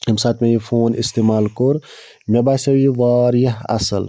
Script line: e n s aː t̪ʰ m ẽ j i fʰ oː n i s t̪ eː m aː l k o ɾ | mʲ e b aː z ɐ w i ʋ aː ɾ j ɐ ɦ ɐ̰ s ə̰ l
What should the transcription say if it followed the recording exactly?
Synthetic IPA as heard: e m s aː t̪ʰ m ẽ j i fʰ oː n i s t̪ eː m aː l k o ɾ | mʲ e b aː s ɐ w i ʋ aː ɾ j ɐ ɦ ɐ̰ s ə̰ l